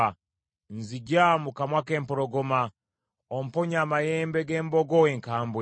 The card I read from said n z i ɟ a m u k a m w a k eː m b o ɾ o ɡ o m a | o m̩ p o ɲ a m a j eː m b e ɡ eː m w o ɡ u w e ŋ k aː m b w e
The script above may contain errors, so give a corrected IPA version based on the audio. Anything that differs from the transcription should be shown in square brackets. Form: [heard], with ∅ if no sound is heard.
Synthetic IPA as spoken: n z i ɟ a m u k a m w a k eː m [p] o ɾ o ɡ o m a | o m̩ p o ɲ a m a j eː m b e ɡ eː m [b] o ɡ [o] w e ŋ k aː m b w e